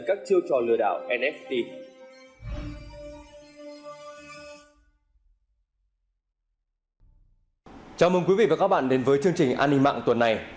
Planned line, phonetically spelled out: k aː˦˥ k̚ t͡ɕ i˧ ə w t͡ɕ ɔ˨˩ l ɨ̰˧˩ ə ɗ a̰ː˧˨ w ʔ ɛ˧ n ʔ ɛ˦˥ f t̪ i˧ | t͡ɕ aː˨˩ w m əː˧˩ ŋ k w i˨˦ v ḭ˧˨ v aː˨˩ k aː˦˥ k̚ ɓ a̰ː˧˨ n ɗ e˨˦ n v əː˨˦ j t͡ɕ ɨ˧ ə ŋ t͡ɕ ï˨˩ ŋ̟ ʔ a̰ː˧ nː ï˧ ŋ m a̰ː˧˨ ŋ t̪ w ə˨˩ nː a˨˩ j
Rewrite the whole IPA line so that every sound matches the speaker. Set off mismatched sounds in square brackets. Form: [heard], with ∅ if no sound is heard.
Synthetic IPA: k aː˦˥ k̚ t͡ɕ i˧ ə w t͡ɕ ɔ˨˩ l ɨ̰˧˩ ə ɗ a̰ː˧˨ w ʔ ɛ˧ n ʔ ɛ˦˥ f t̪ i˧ | t͡ɕ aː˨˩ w m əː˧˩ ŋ k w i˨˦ v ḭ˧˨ v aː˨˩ k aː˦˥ k̚ ɓ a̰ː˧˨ n ɗ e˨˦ n v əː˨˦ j t͡ɕ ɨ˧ ə ŋ t͡ɕ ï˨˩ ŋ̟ ʔ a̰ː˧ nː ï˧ ŋ m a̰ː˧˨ ŋ t̪ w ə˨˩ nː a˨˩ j